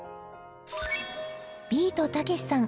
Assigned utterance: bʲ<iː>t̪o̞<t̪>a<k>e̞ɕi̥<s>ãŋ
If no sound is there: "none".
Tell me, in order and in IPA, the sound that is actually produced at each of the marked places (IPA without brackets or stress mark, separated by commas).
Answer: iː, t̪, k, s